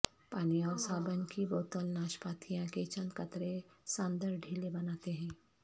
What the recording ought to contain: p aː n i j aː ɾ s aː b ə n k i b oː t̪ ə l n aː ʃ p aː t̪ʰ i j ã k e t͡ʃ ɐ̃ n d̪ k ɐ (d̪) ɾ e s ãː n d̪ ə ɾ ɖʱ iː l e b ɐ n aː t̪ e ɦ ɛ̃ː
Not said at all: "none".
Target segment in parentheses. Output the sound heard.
t̪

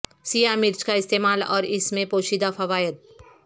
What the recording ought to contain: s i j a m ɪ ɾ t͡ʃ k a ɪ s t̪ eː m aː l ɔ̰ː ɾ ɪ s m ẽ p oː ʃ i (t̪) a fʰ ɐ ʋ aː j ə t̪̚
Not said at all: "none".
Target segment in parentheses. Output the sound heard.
d̪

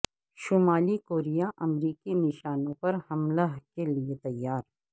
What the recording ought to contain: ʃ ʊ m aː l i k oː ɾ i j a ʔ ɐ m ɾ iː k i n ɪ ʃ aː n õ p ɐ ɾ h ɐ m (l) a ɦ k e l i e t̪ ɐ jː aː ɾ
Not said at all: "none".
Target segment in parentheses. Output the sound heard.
l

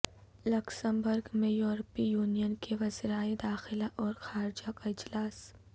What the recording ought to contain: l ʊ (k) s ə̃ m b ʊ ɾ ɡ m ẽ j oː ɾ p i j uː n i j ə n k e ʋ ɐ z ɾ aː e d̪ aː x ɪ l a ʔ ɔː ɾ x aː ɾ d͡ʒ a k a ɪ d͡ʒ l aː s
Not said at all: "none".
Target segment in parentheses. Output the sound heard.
k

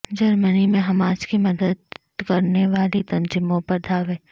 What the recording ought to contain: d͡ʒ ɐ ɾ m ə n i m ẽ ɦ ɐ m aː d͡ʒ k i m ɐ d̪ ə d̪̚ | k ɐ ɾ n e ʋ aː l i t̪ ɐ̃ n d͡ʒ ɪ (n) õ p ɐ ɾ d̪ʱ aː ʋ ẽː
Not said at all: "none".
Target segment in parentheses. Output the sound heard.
m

